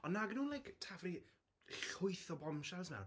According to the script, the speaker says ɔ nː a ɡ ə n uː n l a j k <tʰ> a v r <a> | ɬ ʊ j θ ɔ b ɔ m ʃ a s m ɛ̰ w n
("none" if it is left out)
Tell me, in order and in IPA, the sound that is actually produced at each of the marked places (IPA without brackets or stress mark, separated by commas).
tʰ, i